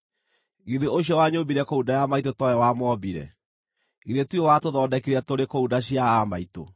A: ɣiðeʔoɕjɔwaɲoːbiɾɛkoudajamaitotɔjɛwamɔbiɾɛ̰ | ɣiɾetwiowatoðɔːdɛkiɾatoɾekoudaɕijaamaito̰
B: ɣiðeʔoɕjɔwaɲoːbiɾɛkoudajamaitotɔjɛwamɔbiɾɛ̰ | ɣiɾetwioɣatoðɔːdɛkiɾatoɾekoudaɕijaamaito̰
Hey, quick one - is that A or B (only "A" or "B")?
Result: A